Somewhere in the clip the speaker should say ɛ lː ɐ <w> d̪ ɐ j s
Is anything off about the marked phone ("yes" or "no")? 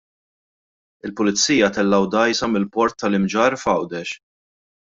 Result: no